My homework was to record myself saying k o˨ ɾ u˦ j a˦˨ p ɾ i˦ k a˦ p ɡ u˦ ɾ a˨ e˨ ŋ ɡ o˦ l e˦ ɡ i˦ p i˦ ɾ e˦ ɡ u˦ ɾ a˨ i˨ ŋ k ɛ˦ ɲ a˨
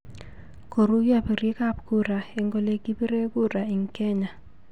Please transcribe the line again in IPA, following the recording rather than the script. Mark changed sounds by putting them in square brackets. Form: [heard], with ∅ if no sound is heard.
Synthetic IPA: k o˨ ɾ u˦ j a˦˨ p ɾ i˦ k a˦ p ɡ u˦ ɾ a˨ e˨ ŋ ɡ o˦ l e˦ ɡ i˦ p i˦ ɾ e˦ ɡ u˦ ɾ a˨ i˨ ŋ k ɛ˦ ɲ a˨

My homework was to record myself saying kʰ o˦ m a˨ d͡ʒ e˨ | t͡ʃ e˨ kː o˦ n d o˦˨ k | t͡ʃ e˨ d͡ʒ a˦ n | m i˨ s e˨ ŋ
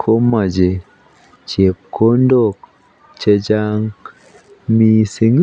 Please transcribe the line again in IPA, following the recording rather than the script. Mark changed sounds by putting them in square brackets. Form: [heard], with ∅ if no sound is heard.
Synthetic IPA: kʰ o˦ m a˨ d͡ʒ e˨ | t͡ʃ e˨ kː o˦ n d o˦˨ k | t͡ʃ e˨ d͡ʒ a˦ [ŋ] | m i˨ s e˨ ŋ

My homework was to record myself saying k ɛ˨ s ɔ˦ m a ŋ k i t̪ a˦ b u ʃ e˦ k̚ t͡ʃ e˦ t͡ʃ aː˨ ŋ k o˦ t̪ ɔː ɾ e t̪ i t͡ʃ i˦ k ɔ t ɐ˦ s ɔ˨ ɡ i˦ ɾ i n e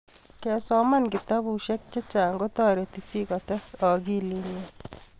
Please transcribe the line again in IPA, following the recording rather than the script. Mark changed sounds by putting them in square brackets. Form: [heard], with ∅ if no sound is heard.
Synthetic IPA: k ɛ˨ s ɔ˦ m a [n] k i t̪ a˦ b u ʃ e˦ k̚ t͡ʃ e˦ t͡ʃ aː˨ ŋ [ɡ] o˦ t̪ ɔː ɾ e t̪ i t͡ʃ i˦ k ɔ t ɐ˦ s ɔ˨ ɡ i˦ [l] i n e

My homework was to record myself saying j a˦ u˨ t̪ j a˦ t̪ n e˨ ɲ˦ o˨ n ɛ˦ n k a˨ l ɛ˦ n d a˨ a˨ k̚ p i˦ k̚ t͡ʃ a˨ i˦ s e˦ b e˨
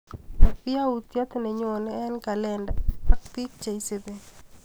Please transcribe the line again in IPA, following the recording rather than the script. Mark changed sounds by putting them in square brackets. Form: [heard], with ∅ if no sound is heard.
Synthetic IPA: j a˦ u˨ t̪ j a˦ t̪ n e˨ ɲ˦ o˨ n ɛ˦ n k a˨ l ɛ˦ n d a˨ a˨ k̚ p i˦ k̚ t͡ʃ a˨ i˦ s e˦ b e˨

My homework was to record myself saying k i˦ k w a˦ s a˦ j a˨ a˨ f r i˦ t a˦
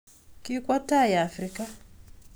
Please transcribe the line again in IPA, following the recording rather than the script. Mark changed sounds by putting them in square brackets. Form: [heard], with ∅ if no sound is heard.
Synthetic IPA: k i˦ k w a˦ [t] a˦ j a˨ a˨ f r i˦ [k] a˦

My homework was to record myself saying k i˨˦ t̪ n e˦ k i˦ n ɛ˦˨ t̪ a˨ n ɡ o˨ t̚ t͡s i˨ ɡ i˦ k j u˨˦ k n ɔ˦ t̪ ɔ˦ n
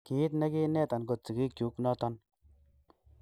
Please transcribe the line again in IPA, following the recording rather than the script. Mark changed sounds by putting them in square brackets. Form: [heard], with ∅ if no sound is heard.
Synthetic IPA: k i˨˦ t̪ n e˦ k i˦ n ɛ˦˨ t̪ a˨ n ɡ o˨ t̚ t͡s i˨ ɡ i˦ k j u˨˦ k n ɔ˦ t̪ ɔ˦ n

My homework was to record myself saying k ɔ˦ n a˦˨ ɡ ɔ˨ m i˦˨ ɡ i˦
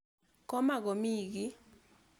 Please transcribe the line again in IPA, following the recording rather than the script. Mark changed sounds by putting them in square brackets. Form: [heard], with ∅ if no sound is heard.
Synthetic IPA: k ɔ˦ [m] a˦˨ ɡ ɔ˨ m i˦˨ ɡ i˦

